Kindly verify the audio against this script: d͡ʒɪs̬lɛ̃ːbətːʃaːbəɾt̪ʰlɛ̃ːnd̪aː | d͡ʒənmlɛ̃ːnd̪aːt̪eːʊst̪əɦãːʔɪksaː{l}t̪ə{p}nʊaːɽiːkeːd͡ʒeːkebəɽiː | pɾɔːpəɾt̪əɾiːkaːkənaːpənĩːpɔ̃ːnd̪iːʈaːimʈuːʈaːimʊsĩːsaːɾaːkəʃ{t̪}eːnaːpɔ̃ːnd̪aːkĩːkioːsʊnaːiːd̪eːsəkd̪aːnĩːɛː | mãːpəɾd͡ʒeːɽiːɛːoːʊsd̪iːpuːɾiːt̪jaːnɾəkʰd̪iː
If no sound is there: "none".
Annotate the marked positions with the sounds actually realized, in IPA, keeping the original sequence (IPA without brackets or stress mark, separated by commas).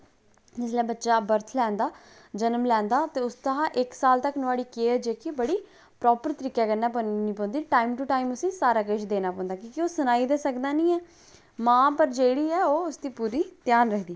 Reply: l, k, d̪